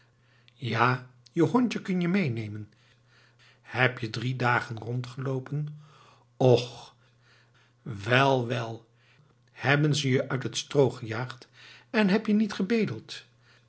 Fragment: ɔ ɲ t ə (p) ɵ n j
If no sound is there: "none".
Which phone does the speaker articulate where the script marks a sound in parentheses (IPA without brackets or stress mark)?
k